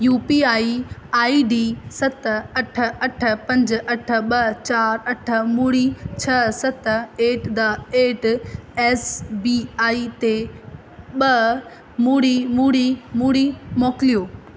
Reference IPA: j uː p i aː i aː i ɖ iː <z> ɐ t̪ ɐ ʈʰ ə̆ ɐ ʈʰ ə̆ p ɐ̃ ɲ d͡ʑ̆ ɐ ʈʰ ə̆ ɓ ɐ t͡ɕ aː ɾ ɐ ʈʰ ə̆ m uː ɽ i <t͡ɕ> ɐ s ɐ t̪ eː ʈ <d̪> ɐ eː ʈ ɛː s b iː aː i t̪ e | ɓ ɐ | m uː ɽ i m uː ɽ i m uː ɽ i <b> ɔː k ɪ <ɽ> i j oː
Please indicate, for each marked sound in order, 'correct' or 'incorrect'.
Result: incorrect, incorrect, correct, incorrect, incorrect

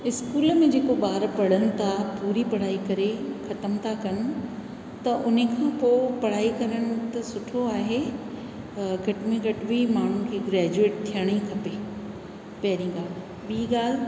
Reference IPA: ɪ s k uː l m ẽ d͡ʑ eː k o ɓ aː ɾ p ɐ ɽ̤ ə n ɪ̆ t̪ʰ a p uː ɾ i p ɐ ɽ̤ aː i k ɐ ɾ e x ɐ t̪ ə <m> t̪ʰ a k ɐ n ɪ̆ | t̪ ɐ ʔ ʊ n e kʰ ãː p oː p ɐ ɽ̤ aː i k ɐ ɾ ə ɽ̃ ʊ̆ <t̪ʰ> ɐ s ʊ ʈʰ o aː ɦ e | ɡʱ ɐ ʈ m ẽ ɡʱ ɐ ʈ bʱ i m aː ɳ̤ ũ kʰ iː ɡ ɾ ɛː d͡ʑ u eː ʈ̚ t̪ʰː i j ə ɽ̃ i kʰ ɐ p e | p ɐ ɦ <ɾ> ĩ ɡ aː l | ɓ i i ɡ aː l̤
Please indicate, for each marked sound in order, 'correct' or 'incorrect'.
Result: correct, incorrect, correct

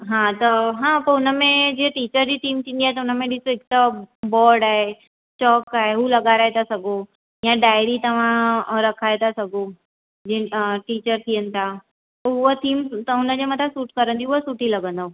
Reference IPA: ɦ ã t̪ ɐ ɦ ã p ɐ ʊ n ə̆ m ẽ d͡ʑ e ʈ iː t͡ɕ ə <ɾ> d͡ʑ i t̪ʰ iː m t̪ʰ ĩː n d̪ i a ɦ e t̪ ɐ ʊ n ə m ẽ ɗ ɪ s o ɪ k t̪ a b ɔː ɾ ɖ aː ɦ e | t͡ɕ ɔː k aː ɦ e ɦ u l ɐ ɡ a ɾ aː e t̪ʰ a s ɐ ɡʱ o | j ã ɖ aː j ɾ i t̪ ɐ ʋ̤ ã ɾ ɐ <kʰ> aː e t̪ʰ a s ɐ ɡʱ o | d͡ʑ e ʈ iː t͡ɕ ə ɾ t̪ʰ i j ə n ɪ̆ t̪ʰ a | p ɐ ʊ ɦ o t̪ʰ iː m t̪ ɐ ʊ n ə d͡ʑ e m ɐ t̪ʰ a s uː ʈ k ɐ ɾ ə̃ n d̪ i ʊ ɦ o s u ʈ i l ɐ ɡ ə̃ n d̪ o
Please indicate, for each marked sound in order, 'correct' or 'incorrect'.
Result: correct, correct

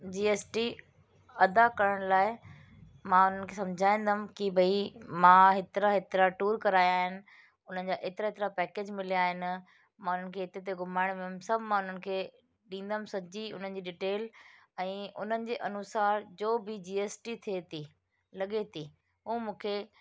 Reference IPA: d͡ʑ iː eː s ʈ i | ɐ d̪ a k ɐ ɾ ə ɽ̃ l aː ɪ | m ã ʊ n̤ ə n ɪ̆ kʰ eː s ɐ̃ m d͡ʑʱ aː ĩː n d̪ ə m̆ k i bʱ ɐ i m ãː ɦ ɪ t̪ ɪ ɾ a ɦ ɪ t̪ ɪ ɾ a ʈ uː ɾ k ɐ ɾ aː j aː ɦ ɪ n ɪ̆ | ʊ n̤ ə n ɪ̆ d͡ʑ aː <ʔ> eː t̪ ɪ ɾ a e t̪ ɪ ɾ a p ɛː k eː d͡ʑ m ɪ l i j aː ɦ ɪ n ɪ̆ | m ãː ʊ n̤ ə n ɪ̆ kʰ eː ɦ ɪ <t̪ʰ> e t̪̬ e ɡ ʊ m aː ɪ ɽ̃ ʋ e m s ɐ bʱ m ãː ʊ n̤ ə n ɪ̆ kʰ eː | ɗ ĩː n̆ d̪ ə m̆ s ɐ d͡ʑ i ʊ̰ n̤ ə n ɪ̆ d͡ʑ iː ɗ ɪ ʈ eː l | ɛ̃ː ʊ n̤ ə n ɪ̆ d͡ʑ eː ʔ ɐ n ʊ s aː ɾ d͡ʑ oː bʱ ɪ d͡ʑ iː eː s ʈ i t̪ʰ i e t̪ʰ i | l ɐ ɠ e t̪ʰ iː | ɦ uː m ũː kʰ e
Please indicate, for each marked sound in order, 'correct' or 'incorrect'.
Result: correct, incorrect

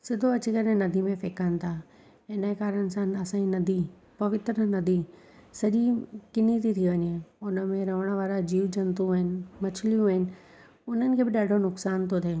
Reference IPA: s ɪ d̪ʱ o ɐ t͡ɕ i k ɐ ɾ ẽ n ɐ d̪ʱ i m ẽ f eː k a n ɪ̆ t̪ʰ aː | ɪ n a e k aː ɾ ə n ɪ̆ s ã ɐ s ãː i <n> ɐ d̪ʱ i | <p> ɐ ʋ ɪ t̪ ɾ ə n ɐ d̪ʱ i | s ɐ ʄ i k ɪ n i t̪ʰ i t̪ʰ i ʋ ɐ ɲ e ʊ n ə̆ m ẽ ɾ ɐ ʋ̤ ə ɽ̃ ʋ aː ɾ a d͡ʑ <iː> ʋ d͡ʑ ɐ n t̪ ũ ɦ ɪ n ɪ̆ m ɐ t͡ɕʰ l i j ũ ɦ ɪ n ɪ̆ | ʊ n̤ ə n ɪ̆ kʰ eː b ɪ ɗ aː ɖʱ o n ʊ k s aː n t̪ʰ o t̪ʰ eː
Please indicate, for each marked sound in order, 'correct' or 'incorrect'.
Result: correct, correct, correct

